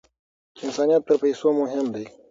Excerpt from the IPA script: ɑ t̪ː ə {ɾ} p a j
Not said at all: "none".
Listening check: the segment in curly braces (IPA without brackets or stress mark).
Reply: ɾ